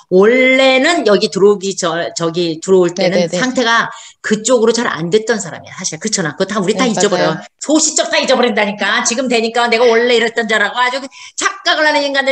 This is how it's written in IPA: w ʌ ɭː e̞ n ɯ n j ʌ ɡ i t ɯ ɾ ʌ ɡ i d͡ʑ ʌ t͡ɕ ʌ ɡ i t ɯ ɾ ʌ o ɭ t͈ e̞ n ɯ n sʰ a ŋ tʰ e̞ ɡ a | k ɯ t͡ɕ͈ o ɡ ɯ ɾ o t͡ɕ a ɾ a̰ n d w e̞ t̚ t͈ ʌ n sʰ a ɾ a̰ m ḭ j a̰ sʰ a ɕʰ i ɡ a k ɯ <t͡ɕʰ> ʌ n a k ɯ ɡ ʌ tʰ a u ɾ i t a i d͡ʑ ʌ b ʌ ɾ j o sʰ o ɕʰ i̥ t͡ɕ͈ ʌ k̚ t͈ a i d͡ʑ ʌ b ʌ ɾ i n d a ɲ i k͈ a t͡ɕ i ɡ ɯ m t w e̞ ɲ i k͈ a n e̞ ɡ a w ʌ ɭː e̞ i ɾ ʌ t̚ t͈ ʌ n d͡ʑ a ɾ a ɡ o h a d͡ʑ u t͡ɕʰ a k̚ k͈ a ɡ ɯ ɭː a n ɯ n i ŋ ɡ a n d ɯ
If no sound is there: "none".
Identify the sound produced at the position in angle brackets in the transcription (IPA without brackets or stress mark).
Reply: t͡ɕʰ